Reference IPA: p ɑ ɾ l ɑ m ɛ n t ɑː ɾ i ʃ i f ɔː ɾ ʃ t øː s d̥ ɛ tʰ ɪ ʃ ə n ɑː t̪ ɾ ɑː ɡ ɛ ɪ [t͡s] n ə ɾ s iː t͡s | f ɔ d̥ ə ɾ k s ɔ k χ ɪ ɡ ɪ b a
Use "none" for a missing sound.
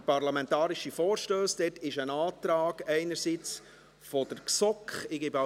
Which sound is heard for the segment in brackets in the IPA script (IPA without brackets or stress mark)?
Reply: none